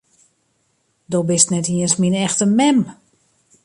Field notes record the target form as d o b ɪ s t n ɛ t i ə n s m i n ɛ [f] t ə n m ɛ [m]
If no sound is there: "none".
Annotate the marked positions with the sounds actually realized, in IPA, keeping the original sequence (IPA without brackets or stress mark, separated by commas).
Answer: x, m